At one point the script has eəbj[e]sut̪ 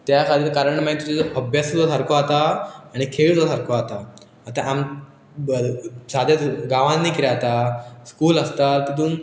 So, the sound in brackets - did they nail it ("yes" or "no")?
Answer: no